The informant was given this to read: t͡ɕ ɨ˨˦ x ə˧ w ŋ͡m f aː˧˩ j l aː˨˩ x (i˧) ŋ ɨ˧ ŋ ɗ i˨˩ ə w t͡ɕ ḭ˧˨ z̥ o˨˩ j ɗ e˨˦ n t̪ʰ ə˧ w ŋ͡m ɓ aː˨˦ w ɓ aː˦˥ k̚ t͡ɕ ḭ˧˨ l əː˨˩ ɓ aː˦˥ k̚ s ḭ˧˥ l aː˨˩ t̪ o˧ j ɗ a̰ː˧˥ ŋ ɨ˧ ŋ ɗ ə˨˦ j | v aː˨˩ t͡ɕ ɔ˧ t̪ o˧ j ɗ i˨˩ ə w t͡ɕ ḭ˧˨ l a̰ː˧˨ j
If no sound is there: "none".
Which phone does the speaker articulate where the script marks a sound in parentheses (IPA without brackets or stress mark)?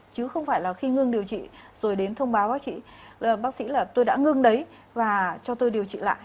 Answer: i˧